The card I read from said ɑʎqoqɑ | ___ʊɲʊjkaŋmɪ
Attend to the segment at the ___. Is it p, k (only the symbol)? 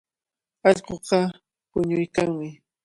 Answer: p